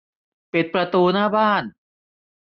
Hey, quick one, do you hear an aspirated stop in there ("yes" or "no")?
no